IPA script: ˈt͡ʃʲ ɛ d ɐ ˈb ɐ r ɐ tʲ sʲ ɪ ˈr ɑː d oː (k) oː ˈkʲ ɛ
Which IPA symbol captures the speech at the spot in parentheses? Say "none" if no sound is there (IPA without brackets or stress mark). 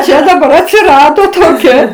t